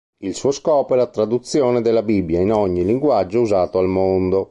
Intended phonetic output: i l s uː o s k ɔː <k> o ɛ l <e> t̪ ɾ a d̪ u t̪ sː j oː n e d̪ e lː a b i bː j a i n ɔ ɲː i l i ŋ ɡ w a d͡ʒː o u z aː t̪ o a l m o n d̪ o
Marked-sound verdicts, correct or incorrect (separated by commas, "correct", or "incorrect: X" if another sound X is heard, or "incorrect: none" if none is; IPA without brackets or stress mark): incorrect: p, incorrect: a